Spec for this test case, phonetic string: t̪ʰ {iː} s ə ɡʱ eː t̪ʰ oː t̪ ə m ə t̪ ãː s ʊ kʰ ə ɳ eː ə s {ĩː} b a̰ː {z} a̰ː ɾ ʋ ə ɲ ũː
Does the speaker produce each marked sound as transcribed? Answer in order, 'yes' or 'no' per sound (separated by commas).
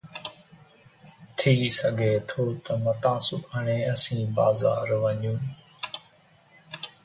yes, yes, yes